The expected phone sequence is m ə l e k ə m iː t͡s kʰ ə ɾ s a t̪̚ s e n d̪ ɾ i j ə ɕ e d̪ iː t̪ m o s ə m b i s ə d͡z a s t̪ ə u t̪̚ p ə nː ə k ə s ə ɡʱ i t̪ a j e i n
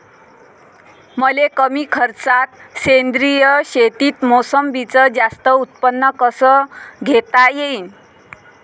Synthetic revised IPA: m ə l e k ə m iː kʰ ə ɾ t͡s a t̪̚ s e n d̪ ɾ i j ə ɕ e t̪ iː t̪ m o s ə m b i t͡s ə d͡z a s t̪ ə u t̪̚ p ə nː ə k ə s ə ɡʱ e t̪ a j e i n